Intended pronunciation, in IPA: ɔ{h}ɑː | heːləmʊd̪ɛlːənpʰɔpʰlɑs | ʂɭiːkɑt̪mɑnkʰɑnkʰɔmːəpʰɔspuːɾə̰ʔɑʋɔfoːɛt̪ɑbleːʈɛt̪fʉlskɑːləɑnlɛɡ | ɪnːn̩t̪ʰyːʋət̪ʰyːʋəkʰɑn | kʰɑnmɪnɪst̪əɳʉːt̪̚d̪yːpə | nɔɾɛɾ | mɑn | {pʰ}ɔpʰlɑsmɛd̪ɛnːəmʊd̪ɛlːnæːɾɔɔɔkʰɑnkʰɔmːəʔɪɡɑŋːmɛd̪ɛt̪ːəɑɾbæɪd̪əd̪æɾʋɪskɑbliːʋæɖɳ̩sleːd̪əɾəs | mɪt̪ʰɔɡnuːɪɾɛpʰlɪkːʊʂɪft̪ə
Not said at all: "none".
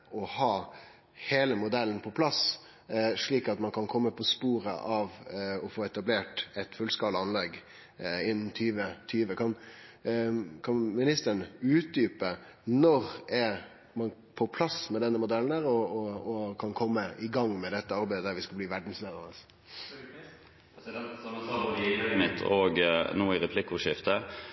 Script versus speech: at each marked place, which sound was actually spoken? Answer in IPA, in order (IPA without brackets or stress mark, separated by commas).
h, pʰ